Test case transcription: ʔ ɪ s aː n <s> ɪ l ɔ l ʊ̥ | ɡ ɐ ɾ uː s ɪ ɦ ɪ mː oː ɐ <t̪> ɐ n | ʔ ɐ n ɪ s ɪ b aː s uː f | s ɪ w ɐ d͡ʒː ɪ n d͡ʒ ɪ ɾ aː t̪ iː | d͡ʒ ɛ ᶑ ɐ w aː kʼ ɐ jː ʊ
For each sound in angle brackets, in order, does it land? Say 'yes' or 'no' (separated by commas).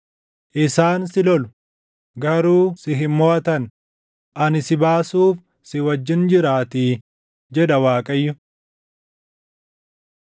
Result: yes, yes